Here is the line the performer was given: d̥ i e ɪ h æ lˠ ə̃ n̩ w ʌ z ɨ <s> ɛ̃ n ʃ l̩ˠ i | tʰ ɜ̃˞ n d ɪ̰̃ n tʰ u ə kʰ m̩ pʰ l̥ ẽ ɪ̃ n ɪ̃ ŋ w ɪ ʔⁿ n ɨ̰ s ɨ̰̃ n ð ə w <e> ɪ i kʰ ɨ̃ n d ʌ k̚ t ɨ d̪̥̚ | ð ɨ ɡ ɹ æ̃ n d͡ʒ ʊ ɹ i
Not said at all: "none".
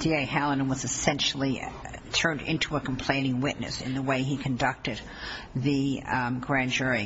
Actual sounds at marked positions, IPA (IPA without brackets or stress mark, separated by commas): s, e